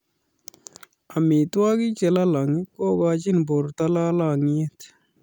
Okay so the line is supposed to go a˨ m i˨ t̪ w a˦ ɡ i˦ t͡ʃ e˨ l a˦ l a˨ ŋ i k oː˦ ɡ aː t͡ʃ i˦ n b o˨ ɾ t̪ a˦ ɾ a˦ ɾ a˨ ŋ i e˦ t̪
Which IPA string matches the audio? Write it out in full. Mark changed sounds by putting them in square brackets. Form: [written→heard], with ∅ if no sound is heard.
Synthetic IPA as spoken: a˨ m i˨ t̪ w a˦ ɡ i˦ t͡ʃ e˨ l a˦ l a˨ ŋ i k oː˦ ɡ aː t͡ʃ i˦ n b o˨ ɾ t̪ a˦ [ɾ→l] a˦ [ɾ→l] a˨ ŋ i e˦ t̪

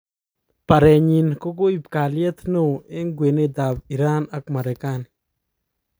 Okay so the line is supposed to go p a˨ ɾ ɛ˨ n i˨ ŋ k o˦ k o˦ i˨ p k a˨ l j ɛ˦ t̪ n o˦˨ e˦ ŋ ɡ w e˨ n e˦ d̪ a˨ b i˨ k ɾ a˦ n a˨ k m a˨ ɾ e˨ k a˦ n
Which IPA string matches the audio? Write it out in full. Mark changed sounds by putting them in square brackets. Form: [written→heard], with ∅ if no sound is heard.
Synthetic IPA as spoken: p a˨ ɾ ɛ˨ [n→ɲ] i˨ [ŋ→n] k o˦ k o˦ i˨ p k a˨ l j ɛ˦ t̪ n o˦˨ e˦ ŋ ɡ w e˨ n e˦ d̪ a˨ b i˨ [k→∅] ɾ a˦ n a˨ k m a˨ ɾ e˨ k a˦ n

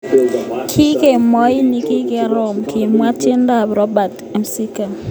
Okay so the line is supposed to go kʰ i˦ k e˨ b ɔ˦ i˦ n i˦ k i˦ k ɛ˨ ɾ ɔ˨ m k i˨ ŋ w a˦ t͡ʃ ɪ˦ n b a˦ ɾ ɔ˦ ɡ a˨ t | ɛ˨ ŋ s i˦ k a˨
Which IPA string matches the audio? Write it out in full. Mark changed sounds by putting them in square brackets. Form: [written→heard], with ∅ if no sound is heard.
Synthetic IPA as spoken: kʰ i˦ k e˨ [b→m] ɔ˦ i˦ n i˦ k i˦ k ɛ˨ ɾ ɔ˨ m k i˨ [ŋ→m] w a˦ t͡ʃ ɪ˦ n [b→d] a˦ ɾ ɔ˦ [ɡ→b] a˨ t | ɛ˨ [ŋ→m] s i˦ k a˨

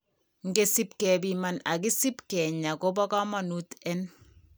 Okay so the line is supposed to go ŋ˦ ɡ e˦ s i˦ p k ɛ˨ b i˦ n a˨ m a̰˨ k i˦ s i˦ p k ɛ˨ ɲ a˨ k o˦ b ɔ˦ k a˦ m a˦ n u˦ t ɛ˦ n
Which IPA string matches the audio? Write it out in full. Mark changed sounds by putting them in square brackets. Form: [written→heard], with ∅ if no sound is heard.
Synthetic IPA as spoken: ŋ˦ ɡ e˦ s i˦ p k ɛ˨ b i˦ [n→m] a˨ [m→n] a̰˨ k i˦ s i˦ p k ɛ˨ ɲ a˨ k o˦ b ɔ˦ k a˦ m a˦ n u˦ t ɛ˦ n

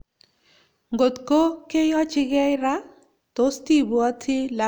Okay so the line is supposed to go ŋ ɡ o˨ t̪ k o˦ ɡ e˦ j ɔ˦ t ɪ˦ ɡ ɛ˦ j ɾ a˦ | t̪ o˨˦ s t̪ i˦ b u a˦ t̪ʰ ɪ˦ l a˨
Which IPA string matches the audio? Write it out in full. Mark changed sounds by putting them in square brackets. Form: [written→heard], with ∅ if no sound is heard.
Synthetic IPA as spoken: ŋ ɡ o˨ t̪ k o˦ [ɡ→k] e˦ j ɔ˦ [t→t͡ʃ] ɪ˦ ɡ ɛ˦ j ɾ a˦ | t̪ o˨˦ s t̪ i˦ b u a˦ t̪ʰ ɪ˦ l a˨

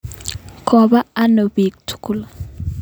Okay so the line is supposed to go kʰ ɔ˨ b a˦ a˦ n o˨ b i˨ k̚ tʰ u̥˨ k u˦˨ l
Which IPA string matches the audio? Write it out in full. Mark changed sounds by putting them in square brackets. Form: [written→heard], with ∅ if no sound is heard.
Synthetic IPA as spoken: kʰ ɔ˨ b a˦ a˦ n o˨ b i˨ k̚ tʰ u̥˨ k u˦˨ l

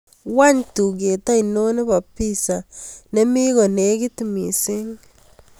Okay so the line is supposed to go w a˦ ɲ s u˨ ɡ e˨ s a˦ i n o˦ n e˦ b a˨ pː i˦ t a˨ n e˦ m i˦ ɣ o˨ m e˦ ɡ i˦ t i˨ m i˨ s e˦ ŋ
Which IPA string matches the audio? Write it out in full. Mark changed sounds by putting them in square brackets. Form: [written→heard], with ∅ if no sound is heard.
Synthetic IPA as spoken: w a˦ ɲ [s→t] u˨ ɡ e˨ [s→t] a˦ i n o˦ n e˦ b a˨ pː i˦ [t→s] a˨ n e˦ m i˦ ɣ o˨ [m→n] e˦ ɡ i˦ t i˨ m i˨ s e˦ ŋ

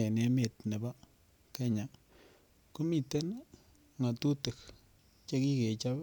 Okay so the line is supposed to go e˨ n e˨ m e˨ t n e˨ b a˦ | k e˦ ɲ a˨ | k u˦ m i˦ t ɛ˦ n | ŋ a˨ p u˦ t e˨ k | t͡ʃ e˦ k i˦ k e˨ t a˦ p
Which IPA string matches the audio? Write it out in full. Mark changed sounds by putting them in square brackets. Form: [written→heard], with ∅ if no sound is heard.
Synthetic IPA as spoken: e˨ n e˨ m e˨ t n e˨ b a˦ | k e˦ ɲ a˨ | k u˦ m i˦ t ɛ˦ n | ŋ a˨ [p→t] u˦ t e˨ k | t͡ʃ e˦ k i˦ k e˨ [t→t͡ʃ] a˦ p

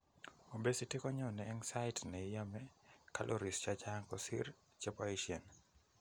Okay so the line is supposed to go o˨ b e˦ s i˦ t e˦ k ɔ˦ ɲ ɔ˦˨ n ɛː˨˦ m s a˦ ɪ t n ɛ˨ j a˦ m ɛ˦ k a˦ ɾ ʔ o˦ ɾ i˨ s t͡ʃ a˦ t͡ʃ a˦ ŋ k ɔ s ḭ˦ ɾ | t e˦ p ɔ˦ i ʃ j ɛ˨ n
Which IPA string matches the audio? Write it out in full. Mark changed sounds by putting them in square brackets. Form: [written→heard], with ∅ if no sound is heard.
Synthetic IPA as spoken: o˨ b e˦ s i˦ t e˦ k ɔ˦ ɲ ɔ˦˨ n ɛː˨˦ [m→ŋ] s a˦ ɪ t n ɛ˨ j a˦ m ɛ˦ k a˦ [ɾ→l] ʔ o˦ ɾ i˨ s t͡ʃ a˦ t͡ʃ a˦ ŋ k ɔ s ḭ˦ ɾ | [t→t͡ʃ] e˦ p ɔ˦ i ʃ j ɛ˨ n

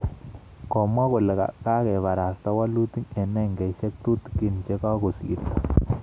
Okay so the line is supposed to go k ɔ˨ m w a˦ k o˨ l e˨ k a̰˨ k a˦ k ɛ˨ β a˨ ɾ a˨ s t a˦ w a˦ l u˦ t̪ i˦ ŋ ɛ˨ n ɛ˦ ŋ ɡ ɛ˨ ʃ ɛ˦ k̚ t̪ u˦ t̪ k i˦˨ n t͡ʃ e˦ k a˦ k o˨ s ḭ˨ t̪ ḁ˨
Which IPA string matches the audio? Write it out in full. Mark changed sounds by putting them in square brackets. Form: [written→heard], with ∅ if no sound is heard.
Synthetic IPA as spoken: k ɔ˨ m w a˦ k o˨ l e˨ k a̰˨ k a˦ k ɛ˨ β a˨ ɾ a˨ s t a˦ w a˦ l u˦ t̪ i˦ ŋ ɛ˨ n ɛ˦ ŋ ɡ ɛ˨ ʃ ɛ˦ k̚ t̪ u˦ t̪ k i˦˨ n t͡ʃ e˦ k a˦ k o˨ s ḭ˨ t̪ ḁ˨

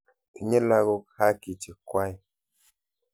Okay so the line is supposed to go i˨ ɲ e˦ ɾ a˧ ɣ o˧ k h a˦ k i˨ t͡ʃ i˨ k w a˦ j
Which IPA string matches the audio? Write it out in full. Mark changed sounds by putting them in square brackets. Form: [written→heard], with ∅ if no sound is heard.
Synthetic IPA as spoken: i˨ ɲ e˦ [ɾ→l] a˧ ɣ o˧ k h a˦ k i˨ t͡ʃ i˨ k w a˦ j

